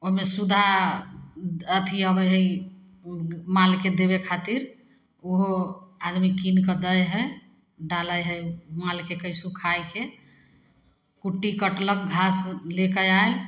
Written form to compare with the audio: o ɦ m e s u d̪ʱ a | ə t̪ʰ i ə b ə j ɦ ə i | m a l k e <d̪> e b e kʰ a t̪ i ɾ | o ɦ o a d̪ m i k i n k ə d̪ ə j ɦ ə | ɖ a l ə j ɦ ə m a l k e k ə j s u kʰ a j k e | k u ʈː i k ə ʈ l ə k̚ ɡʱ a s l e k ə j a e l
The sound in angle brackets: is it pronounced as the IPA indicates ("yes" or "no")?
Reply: yes